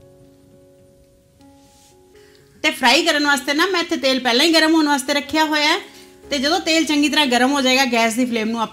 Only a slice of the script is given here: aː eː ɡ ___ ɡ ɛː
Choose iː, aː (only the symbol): aː